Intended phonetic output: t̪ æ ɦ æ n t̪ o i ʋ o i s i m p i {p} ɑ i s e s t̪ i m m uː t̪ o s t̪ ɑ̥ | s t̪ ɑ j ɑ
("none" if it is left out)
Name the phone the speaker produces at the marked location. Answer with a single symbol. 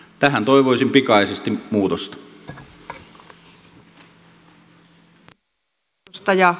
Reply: k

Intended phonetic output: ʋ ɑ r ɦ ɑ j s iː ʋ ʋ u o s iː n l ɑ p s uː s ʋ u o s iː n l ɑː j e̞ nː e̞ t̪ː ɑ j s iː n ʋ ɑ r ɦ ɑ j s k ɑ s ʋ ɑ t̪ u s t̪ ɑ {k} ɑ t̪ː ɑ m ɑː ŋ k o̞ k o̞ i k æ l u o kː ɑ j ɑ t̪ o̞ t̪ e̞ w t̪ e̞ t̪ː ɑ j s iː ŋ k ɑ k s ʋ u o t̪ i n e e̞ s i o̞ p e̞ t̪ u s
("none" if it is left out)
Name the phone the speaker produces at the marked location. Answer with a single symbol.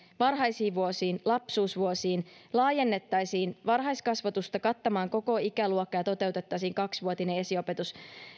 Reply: k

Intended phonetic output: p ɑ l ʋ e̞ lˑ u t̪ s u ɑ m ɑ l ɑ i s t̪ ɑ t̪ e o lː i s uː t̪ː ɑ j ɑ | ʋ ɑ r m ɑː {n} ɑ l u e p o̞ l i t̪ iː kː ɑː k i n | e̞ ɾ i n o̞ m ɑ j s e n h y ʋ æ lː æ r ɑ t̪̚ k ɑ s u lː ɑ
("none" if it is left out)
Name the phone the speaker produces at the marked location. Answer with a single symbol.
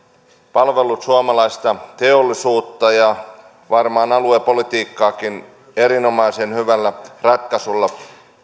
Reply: n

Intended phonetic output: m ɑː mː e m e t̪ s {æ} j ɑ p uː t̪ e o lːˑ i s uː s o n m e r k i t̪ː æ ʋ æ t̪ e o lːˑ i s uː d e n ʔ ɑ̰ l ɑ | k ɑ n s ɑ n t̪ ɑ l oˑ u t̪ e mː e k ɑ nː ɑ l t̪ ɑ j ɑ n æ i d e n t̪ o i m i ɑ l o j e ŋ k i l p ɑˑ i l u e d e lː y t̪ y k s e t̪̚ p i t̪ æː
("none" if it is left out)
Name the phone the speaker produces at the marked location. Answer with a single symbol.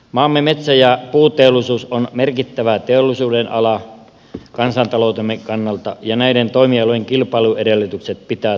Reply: æ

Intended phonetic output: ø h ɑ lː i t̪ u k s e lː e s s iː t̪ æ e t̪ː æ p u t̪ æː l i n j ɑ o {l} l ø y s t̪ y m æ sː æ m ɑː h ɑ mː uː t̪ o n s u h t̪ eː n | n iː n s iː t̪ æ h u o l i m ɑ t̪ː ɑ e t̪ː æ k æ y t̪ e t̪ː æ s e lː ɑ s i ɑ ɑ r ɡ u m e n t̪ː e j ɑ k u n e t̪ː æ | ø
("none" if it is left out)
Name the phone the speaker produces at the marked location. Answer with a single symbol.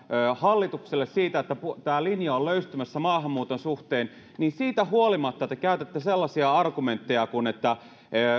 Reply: l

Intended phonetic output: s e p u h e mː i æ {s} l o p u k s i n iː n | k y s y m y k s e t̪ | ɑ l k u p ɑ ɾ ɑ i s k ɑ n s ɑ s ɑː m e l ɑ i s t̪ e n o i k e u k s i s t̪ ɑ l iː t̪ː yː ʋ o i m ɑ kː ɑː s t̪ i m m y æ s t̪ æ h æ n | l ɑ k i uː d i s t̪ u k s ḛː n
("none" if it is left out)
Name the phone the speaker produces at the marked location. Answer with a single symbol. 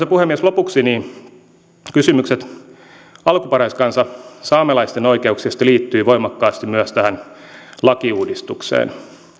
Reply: s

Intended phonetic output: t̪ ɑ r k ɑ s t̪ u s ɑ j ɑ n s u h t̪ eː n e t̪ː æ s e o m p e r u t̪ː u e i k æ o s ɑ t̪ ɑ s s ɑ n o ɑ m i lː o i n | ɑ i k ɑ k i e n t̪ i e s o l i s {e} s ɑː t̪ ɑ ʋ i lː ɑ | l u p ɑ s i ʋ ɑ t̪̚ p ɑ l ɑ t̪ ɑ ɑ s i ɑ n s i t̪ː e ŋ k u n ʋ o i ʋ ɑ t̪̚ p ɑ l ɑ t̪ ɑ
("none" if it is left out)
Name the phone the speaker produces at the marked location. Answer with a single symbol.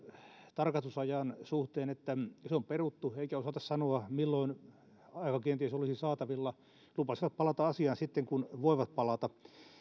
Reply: i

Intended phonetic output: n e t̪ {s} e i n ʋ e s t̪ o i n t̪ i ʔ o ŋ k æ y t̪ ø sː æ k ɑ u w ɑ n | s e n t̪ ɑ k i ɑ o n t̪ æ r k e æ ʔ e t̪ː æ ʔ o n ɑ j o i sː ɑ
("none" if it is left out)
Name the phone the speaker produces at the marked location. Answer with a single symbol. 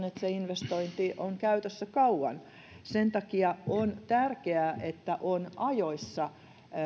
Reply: s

